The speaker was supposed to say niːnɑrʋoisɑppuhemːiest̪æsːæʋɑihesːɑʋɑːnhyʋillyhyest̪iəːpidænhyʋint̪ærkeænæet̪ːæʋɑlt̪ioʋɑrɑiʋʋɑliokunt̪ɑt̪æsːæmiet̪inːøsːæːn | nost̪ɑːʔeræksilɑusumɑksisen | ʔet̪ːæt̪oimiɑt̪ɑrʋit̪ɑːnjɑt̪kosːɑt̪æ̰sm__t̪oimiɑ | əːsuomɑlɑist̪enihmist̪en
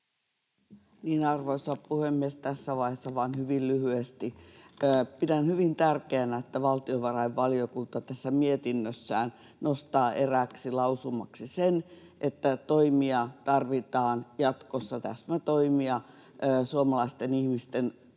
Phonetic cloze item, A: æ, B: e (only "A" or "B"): A